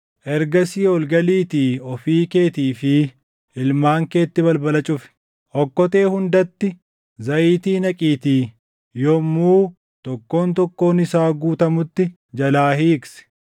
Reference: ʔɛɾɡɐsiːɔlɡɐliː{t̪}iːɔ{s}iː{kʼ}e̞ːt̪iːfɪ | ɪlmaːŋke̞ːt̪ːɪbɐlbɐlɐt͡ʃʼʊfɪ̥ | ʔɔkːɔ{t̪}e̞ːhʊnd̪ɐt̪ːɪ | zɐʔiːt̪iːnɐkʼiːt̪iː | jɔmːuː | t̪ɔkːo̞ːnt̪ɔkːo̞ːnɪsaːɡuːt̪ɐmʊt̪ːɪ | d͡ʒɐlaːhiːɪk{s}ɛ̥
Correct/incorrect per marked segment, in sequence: correct, incorrect: f, incorrect: k, correct, correct

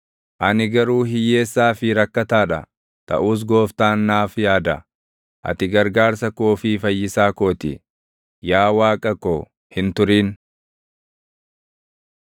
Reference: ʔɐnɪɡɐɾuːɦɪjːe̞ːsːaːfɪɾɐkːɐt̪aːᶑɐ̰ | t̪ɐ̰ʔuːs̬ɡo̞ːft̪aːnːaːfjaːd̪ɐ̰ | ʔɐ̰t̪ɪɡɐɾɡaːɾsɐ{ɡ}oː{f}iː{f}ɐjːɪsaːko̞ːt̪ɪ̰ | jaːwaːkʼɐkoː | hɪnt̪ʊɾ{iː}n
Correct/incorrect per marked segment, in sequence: incorrect: k, correct, correct, correct

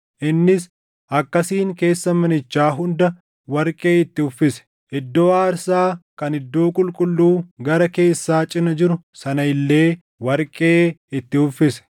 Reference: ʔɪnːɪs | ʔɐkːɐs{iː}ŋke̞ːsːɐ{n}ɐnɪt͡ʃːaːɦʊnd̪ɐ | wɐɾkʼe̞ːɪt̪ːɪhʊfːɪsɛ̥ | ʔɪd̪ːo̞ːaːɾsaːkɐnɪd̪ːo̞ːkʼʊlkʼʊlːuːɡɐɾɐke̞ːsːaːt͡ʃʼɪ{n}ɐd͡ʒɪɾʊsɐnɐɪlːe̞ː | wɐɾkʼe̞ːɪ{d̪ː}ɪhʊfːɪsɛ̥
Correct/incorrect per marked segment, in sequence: correct, incorrect: m, correct, incorrect: t̪ː

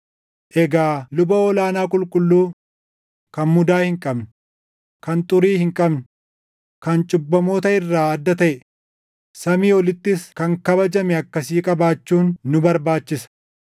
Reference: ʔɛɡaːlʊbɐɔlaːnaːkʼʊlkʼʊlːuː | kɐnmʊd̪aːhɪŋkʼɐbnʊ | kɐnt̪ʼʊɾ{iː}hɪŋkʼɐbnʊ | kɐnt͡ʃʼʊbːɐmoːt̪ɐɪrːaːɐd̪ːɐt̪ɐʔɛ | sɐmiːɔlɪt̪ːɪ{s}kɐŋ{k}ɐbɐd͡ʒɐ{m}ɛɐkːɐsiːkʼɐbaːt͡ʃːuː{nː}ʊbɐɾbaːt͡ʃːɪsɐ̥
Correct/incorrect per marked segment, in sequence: correct, correct, correct, correct, correct

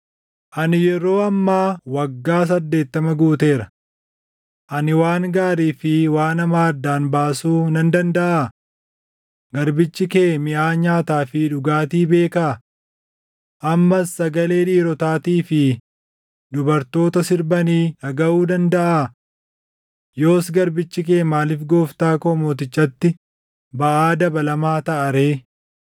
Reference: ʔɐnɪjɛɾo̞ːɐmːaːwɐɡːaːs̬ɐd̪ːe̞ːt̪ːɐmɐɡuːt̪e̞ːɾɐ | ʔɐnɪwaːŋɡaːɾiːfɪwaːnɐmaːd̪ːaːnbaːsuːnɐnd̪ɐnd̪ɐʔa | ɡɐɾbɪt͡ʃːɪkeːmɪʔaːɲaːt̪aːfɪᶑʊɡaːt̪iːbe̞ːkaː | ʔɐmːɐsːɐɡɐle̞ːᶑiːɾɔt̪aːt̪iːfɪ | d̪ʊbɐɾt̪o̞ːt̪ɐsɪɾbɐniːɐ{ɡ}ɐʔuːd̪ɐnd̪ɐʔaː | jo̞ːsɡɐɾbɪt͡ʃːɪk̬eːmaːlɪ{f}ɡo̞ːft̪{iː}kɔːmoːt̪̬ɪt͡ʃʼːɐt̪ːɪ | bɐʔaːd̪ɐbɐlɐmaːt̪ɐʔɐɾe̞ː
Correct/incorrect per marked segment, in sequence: correct, correct, incorrect: aː

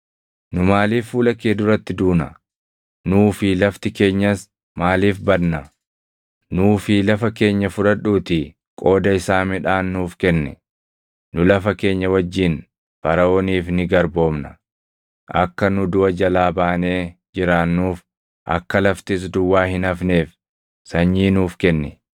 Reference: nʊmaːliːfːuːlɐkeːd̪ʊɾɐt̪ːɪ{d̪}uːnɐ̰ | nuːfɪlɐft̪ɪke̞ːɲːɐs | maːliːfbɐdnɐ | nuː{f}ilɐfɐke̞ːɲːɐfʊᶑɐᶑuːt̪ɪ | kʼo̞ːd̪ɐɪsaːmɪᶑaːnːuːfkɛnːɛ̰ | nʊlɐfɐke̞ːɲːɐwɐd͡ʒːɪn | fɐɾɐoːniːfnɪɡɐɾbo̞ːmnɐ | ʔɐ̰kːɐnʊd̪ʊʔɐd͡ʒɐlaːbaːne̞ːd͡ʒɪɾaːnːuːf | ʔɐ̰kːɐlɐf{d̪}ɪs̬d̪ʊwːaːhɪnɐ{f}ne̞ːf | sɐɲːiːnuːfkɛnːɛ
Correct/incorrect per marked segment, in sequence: correct, correct, incorrect: t̪, correct

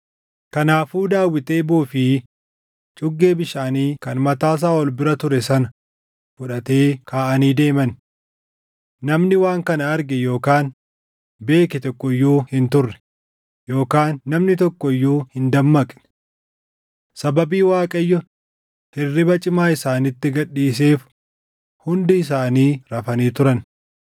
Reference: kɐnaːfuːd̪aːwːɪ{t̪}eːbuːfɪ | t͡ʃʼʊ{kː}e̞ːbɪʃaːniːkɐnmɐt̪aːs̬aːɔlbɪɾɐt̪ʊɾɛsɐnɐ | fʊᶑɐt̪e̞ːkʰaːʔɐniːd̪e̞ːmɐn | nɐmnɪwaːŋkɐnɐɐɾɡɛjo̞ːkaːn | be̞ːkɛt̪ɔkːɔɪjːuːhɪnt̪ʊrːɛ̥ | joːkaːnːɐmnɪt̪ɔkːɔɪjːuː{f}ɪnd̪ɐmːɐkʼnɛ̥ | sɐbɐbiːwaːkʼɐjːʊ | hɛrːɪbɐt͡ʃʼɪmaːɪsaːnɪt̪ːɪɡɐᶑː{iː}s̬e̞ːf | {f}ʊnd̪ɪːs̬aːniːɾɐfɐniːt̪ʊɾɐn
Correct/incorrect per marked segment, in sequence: correct, incorrect: ɡː, incorrect: h, correct, incorrect: h

